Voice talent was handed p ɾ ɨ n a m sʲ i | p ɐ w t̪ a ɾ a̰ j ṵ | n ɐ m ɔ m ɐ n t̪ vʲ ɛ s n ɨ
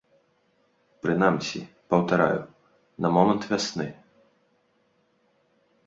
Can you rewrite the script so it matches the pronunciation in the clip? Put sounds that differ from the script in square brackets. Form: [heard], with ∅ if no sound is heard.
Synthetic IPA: p ɾ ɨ n a m sʲ i | p ɐ w t̪ a ɾ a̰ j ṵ | n ɐ m ɔ m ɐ n t̪ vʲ [a] s n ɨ